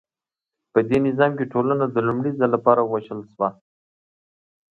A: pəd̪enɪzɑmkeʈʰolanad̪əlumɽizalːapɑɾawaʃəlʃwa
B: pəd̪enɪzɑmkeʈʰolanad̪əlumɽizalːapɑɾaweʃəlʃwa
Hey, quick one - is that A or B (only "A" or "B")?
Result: A